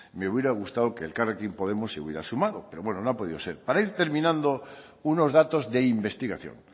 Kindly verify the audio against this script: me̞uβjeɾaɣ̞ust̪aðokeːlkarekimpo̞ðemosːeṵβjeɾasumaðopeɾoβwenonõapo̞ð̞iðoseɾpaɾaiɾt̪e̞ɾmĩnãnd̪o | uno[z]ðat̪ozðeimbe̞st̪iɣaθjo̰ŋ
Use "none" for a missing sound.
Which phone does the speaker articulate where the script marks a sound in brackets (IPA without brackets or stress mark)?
z